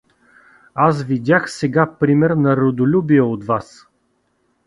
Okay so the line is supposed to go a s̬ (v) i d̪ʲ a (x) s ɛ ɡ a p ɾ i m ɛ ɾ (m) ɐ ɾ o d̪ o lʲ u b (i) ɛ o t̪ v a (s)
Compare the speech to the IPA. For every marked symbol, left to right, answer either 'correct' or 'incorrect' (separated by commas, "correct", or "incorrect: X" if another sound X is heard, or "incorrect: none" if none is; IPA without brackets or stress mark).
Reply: correct, correct, incorrect: n, correct, correct